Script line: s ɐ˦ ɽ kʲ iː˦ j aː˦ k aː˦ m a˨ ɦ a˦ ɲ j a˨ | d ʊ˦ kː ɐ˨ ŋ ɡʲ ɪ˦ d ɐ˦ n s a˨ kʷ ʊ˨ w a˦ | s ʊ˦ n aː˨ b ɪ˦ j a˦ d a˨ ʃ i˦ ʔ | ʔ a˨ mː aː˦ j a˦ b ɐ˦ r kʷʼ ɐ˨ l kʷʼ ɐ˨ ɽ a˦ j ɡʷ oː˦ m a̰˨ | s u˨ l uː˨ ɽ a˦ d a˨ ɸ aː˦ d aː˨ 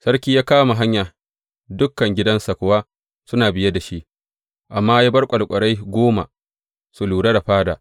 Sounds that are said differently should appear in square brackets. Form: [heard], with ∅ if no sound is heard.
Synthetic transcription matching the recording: s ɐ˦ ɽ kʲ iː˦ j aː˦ k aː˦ m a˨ ɦ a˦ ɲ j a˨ | d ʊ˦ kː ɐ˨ ŋ ɡʲ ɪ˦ d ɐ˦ n s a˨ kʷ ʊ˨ w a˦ | s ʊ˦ n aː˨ b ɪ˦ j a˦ d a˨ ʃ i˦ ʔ | ʔ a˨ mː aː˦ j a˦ b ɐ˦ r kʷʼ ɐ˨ l kʷʼ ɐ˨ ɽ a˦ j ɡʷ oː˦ m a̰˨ | s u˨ l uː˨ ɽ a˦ d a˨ ɸ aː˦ d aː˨